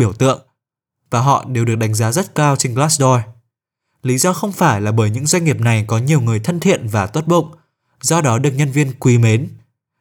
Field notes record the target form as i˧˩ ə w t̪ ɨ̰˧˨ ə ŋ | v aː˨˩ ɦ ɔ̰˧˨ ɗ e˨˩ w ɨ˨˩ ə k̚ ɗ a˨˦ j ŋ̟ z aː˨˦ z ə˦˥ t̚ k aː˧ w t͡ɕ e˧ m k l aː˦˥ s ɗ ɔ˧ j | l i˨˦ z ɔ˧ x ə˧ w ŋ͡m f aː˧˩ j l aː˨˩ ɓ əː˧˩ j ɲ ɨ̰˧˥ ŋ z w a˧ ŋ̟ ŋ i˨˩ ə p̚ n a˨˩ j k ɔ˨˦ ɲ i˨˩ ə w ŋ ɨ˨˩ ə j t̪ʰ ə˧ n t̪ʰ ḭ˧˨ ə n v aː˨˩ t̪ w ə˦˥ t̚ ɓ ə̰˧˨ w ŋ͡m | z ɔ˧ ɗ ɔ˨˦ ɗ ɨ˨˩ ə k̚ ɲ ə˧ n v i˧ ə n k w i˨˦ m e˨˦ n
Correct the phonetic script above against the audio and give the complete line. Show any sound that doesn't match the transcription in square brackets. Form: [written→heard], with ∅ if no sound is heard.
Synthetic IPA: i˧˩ ə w t̪ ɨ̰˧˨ ə ŋ | v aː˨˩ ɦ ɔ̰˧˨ ɗ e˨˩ w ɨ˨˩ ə k̚ ɗ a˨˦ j ŋ̟ z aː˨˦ z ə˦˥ t̚ k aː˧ w t͡ɕ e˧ [m→n] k l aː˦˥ s ɗ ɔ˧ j | l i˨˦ z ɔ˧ x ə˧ w ŋ͡m f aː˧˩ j l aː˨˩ ɓ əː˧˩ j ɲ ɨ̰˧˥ ŋ z w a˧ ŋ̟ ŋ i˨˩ ə p̚ n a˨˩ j k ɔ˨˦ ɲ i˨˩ ə w ŋ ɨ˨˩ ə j t̪ʰ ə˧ n t̪ʰ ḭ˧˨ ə n v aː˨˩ t̪ w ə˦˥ t̚ ɓ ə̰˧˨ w ŋ͡m | z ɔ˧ ɗ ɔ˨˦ ɗ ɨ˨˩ ə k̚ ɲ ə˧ n v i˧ ə n k w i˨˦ m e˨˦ n